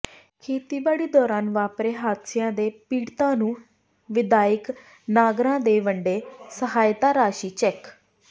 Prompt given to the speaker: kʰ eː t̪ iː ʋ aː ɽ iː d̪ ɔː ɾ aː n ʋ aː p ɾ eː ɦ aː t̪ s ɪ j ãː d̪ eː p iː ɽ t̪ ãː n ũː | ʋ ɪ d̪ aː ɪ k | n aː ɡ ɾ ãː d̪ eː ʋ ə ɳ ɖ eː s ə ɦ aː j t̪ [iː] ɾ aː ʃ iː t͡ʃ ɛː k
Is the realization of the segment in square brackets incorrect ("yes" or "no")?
yes